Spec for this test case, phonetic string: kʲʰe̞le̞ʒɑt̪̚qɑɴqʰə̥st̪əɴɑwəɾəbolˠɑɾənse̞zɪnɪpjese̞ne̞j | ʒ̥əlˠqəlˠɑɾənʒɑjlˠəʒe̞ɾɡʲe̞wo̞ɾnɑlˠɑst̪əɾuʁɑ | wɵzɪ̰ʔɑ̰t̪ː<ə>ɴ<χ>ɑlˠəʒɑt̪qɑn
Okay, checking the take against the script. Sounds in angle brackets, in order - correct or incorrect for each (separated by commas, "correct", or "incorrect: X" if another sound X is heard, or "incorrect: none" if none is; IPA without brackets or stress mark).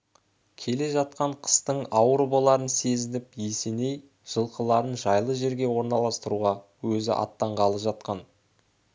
incorrect: ɑ, incorrect: ʁ